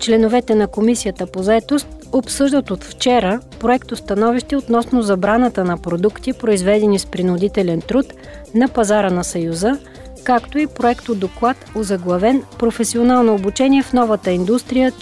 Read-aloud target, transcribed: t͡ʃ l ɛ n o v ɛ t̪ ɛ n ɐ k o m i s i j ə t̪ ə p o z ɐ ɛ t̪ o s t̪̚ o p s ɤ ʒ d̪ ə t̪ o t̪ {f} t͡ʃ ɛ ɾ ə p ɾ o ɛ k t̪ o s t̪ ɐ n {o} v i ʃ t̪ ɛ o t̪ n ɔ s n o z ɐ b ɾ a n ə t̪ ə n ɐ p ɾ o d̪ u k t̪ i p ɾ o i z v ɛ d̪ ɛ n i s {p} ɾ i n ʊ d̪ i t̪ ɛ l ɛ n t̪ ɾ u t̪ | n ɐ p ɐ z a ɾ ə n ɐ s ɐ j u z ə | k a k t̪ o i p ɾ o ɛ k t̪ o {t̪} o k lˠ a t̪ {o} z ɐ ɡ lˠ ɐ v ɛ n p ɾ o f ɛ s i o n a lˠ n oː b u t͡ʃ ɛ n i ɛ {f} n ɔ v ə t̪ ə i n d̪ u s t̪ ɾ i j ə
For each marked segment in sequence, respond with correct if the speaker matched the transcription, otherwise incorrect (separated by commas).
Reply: correct, incorrect, correct, incorrect, correct, correct